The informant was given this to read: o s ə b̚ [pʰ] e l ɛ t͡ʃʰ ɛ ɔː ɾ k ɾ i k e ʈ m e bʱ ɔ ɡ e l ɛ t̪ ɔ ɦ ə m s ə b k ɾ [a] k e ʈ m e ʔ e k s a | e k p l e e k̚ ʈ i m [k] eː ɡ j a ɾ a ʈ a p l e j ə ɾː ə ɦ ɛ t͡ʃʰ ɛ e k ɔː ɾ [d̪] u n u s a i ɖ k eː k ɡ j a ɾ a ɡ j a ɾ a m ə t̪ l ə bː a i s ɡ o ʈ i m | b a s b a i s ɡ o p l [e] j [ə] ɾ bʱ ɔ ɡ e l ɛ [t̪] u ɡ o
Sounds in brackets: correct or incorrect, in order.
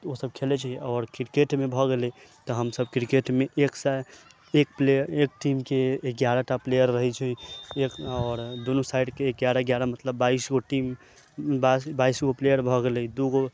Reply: incorrect, incorrect, correct, correct, correct, correct, incorrect

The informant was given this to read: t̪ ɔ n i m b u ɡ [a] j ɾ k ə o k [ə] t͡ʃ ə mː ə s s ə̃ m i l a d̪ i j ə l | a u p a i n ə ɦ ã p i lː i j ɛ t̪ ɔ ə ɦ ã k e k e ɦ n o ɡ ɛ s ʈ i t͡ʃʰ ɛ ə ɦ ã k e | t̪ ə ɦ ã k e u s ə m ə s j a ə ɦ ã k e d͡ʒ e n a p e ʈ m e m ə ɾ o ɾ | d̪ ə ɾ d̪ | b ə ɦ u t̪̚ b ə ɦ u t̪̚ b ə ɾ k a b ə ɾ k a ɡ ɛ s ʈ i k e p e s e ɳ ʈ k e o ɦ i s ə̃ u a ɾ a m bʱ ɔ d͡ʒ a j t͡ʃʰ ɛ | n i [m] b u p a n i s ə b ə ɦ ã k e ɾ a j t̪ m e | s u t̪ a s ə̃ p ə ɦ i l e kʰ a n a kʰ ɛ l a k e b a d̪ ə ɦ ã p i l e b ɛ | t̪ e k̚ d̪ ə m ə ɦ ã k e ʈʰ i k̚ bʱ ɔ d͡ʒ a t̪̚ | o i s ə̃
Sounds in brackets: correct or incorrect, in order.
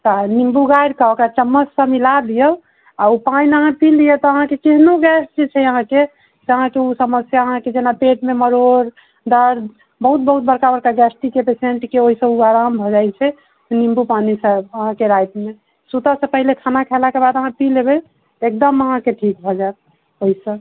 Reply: correct, incorrect, correct

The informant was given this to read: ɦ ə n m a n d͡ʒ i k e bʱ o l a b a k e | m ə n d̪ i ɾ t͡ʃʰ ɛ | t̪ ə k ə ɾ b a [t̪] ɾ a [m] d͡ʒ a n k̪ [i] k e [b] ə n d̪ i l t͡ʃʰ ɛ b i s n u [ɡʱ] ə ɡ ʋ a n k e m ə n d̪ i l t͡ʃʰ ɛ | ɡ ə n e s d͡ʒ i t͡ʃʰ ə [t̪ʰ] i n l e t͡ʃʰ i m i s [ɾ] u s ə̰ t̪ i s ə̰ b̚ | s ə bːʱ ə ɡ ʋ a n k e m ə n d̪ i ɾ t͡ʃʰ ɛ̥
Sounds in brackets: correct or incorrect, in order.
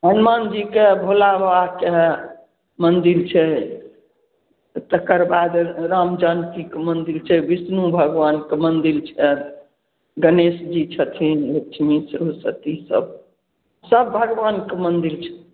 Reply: incorrect, correct, correct, incorrect, incorrect, correct, correct

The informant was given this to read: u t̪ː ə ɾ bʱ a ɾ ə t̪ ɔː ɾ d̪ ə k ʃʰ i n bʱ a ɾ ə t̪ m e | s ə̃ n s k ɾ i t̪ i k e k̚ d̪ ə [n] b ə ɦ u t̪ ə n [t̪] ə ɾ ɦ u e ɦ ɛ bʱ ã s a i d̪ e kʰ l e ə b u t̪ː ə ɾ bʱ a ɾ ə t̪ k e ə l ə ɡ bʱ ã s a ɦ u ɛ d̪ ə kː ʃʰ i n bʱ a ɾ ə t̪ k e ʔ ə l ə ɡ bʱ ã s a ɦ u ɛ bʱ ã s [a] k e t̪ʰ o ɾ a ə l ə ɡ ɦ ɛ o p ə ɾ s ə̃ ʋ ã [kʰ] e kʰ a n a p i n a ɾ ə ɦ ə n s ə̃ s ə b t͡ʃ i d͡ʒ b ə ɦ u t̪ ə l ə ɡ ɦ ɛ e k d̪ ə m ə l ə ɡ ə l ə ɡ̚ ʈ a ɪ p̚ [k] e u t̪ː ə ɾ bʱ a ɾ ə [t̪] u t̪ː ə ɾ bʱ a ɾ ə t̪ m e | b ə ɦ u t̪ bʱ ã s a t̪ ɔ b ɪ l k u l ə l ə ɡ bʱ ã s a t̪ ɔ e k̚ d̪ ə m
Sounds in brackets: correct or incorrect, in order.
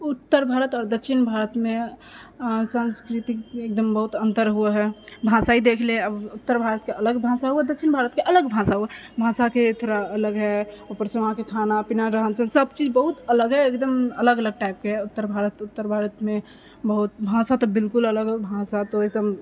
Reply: incorrect, correct, correct, incorrect, correct, correct

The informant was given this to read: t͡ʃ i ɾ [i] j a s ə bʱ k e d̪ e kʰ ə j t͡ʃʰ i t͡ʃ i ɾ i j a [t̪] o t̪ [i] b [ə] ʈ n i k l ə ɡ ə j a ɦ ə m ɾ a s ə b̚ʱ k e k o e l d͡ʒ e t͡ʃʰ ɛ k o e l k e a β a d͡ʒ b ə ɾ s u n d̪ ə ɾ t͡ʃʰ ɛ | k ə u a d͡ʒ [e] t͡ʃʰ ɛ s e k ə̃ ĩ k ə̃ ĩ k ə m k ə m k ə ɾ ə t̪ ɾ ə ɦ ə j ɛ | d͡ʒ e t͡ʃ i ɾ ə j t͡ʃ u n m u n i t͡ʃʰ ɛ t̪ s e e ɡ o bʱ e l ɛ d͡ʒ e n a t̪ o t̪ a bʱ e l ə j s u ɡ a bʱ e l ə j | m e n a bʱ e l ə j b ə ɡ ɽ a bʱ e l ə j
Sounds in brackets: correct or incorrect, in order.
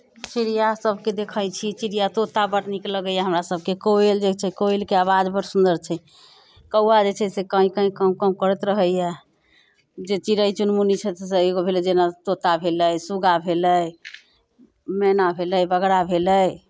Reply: correct, correct, incorrect, correct, correct

